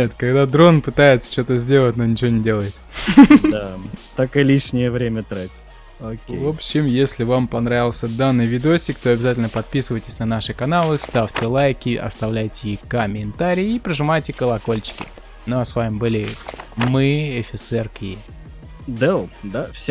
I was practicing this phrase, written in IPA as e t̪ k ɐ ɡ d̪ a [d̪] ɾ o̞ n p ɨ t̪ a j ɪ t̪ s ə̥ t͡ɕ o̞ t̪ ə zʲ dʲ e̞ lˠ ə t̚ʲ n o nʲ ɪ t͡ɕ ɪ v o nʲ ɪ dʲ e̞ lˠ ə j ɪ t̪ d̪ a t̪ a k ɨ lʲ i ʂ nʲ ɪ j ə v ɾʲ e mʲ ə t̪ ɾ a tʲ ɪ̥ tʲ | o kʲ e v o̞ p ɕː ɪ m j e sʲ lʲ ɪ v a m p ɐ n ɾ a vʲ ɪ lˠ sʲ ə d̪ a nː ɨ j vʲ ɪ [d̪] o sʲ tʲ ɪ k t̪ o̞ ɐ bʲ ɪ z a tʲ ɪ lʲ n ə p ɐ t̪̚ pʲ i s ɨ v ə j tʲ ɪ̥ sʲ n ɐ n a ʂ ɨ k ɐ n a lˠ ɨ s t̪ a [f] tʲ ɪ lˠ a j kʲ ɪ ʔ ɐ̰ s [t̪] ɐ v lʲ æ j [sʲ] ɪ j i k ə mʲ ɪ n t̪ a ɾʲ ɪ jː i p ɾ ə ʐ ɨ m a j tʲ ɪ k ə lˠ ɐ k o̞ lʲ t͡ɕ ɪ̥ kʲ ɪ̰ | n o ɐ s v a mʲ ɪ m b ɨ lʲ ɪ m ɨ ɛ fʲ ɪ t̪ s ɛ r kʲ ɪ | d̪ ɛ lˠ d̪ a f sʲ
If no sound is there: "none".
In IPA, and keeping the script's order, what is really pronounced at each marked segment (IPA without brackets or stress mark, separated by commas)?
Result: d̪, d̪, f, t̪, tʲ